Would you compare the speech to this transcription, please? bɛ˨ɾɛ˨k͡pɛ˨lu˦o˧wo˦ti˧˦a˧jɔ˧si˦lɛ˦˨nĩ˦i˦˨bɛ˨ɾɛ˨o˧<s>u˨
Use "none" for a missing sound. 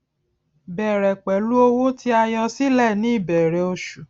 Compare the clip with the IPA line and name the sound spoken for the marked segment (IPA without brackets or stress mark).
ʃ